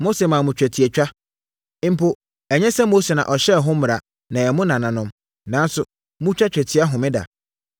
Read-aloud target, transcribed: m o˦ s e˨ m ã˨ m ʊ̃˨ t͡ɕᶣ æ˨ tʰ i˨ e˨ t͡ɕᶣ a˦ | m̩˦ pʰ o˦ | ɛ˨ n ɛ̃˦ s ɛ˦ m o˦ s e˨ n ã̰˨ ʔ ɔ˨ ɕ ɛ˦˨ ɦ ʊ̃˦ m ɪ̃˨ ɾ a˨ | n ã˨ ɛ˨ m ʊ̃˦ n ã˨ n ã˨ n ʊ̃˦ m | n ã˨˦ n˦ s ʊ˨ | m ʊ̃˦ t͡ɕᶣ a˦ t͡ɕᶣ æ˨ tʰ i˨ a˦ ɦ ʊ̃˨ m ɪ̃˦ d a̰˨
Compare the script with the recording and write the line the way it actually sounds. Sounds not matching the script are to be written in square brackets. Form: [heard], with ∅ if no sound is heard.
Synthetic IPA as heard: m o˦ s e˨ m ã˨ m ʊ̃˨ t͡ɕᶣ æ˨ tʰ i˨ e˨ t͡ɕᶣ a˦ | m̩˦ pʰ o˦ | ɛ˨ [ɲ] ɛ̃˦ s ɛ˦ m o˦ s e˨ n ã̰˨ ʔ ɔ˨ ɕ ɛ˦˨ ɦ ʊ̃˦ m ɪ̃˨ ɾ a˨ | n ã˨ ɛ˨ m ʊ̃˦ n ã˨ n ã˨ n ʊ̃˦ m | n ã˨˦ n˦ s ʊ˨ | m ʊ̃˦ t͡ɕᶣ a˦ t͡ɕᶣ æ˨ tʰ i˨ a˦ ɦ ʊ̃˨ m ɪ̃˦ d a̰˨